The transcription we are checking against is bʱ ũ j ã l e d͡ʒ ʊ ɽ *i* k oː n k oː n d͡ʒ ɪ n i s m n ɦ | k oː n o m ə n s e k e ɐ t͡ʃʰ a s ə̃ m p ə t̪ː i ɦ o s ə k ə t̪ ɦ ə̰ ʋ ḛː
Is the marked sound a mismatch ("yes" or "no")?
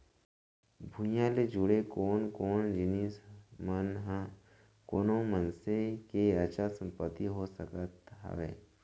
yes